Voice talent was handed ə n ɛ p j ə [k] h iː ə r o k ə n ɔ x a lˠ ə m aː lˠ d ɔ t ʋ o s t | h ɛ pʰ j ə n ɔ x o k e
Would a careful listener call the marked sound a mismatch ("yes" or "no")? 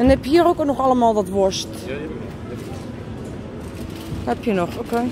yes